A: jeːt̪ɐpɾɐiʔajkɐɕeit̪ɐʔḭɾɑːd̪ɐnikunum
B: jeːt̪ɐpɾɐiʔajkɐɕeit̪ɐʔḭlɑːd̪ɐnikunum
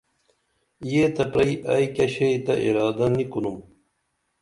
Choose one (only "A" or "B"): A